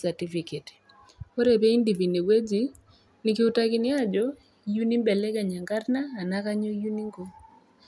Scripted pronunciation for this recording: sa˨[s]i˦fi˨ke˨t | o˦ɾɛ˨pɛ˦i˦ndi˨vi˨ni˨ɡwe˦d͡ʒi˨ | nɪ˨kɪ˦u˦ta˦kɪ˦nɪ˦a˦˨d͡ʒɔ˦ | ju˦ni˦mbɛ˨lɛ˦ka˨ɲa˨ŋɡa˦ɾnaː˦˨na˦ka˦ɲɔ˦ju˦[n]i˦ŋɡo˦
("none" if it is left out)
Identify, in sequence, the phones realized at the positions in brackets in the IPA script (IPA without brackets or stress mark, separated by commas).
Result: t, n